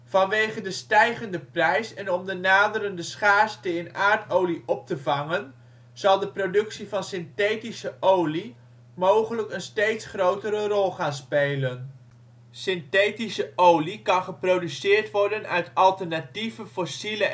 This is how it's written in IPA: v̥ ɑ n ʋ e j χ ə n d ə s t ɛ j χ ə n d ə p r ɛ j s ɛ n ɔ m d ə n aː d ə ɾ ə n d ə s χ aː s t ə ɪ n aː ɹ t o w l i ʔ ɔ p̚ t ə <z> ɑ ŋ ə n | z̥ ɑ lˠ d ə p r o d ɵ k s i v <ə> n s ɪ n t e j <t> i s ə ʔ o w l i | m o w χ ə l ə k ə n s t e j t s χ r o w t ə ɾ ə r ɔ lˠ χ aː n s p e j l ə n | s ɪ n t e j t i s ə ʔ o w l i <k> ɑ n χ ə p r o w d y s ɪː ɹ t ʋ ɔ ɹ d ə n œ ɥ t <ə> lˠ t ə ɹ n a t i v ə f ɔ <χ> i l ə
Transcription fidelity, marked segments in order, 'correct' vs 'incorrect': incorrect, incorrect, correct, correct, incorrect, incorrect

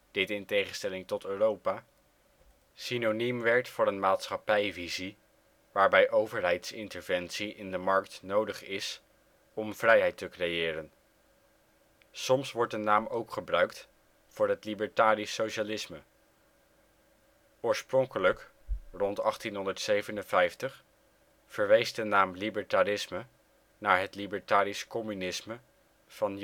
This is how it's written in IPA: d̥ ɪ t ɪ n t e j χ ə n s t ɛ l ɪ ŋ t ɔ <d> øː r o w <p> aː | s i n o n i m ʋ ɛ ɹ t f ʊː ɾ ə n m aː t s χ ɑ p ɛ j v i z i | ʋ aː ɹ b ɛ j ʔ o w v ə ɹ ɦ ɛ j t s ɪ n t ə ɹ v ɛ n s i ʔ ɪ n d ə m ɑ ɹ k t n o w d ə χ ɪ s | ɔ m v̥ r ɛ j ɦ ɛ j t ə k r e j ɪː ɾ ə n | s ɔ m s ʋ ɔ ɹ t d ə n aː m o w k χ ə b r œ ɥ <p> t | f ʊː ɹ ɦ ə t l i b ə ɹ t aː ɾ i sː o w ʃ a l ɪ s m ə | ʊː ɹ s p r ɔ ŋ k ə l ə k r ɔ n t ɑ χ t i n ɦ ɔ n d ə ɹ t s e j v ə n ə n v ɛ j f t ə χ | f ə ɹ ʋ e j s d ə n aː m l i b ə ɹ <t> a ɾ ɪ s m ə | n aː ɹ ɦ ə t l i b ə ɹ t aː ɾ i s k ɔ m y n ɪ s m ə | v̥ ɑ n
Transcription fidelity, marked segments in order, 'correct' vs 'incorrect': incorrect, correct, incorrect, correct

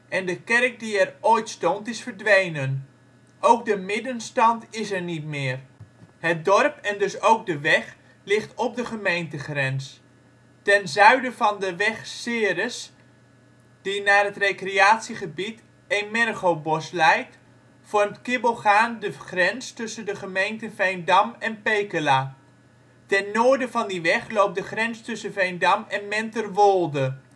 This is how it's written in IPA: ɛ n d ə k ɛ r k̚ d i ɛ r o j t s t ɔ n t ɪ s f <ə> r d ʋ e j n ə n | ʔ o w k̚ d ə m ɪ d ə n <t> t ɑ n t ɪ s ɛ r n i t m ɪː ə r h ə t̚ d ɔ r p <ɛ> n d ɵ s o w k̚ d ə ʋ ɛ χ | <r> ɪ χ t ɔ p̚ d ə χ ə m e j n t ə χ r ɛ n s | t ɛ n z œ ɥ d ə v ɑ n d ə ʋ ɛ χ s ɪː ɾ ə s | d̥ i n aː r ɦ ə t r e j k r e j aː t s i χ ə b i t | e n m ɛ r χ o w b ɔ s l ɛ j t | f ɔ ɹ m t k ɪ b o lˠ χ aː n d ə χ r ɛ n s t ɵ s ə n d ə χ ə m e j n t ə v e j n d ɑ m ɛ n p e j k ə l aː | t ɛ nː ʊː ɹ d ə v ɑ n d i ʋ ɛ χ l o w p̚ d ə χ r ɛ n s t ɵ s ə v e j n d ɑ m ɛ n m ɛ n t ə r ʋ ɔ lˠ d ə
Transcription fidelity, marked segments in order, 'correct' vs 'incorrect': correct, incorrect, correct, incorrect

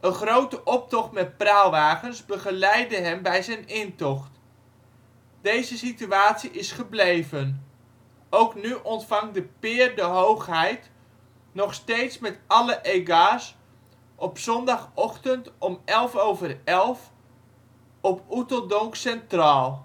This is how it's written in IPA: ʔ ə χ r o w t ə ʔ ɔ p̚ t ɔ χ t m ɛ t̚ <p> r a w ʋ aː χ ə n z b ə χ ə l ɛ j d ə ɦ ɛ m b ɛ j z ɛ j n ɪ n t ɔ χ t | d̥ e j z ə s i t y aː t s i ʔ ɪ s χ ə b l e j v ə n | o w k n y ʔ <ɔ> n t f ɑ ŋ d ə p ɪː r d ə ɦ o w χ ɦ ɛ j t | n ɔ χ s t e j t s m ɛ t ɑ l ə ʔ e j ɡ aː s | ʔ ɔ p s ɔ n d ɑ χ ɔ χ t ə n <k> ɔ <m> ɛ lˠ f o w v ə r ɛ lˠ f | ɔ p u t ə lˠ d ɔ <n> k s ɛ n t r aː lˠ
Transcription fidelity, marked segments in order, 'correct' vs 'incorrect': correct, correct, incorrect, correct, incorrect

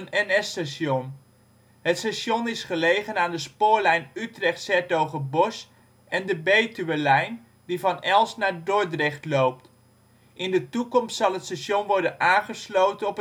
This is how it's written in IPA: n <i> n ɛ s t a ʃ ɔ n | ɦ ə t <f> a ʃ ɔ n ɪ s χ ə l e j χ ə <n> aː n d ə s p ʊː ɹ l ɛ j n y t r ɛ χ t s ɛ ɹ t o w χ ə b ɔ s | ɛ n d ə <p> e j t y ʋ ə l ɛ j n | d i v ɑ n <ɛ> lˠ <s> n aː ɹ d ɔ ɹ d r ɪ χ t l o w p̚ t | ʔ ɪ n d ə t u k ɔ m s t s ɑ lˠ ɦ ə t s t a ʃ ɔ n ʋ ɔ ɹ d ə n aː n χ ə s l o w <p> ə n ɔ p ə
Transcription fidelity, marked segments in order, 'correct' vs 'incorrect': incorrect, incorrect, correct, incorrect, correct, correct, incorrect

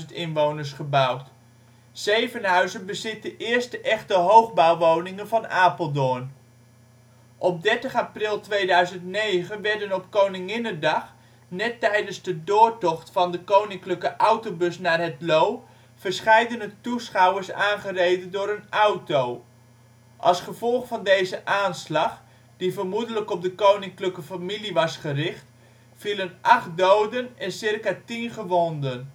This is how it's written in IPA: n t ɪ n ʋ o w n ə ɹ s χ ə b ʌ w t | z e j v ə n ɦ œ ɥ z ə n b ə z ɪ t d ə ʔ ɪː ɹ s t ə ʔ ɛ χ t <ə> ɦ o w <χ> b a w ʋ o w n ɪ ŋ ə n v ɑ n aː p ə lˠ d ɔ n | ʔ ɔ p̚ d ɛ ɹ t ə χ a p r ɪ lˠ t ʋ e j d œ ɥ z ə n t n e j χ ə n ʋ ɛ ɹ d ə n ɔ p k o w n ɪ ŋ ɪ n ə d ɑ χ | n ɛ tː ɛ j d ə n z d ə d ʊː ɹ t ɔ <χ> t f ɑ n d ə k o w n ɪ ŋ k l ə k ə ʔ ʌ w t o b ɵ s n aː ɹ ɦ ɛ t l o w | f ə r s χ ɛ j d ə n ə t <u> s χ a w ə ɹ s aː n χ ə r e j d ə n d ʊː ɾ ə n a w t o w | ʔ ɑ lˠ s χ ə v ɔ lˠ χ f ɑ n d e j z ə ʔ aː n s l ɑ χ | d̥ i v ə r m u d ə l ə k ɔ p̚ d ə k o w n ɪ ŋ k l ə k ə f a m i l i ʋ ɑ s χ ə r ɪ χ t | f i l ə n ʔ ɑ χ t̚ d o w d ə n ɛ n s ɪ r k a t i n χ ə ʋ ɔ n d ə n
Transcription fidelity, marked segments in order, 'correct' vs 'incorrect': correct, correct, correct, correct

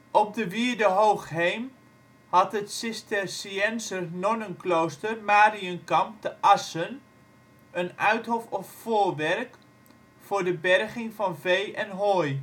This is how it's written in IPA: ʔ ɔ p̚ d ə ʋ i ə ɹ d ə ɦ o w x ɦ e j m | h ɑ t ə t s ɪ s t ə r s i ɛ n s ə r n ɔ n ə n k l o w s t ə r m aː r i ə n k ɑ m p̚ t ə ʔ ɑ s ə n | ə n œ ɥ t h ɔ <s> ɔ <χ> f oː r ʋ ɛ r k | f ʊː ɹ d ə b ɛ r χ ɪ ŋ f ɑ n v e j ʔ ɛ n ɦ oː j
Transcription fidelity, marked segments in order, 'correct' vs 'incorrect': incorrect, incorrect

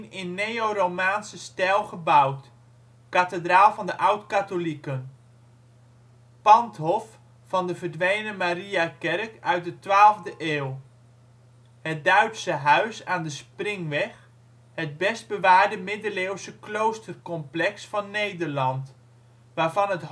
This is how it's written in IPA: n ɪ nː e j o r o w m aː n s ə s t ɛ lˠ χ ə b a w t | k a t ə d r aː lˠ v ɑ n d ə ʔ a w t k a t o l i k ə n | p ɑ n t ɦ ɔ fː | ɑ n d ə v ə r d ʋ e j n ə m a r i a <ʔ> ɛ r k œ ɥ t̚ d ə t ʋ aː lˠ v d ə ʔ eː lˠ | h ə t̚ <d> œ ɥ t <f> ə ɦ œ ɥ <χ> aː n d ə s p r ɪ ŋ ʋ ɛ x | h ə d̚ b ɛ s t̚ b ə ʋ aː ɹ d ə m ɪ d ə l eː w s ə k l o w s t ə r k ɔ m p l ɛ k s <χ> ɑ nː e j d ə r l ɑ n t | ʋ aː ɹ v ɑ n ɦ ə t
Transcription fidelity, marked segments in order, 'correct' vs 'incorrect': incorrect, correct, incorrect, incorrect, incorrect

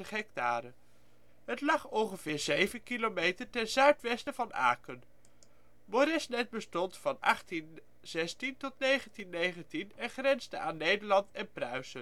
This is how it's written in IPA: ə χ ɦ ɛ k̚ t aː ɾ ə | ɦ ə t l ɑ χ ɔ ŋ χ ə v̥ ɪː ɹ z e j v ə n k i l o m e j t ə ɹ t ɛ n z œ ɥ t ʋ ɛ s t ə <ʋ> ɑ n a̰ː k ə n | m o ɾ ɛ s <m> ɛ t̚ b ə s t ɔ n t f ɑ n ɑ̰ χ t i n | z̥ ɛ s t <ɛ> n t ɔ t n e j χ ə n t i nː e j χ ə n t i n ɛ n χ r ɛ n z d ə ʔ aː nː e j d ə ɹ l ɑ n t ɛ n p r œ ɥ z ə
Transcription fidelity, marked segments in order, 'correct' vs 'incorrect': incorrect, incorrect, incorrect

